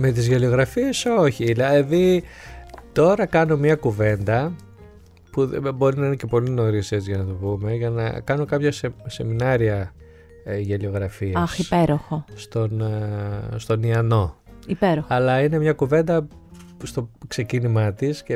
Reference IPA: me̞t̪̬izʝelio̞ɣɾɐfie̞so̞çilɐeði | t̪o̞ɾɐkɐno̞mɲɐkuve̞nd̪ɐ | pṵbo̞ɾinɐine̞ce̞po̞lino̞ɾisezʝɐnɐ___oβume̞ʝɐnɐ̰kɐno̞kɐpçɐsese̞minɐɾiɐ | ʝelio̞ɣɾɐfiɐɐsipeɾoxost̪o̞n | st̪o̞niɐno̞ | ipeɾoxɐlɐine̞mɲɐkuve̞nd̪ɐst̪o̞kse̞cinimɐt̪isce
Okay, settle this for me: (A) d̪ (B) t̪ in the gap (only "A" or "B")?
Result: B